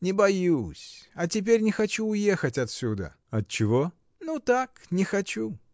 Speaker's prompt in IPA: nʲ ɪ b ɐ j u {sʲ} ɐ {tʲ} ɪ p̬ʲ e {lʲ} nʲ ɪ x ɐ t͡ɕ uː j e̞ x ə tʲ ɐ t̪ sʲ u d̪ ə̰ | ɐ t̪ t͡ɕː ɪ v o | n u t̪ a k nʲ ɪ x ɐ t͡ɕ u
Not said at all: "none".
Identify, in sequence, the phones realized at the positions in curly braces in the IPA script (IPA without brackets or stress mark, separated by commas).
sʲ, tʲ, ɾʲ